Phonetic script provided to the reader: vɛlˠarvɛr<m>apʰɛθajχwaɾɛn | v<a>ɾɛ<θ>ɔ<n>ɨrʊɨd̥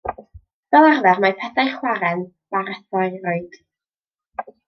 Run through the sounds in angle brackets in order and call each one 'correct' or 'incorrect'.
correct, correct, correct, incorrect: none

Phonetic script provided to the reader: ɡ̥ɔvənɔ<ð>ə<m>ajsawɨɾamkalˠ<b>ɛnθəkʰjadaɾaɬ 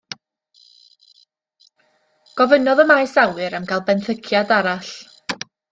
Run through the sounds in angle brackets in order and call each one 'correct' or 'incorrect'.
correct, correct, correct

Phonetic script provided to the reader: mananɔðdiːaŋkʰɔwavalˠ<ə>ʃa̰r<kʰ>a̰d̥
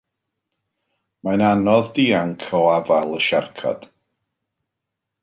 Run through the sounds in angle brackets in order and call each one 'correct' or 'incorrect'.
correct, correct

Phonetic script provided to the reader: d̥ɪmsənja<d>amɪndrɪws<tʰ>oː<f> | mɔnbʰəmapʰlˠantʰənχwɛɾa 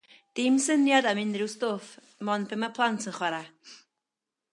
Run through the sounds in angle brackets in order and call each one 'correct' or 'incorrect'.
correct, incorrect: t, correct

